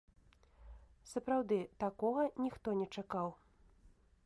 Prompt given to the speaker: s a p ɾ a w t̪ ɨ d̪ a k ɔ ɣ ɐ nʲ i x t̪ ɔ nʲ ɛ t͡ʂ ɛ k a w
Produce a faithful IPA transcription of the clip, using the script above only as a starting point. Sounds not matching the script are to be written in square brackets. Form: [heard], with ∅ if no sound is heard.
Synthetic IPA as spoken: s [ɐ] p ɾ a w [d̪] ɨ [t̪] a k ɔ ɣ ɐ nʲ i x t̪ ɔ nʲ ɛ t͡ʂ [a] k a w